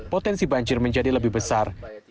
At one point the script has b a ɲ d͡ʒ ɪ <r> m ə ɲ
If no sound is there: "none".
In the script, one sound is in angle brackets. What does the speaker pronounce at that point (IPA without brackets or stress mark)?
r